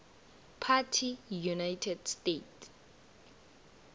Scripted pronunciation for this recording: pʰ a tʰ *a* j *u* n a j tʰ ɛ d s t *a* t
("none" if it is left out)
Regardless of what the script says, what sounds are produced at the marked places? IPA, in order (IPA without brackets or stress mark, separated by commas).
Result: i, u, e